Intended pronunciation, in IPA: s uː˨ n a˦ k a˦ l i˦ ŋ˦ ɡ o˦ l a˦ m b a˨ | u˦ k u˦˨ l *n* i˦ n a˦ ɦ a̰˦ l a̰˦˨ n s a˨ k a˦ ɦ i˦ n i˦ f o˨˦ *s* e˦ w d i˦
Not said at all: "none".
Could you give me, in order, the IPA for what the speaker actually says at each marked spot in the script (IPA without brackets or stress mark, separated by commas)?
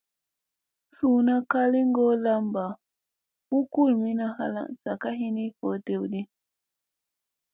m, t